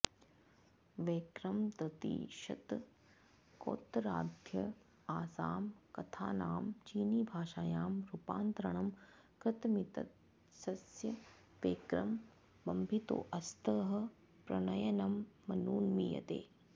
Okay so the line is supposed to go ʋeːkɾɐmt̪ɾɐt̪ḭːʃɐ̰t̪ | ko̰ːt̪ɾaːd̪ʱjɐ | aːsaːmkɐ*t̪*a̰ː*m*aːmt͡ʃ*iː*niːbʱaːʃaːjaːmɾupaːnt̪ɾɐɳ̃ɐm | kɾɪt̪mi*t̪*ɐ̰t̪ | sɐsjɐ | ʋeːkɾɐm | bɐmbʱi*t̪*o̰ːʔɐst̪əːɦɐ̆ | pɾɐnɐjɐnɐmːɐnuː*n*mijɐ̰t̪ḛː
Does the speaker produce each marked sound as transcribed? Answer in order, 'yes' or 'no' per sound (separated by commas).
no, no, yes, yes, yes, yes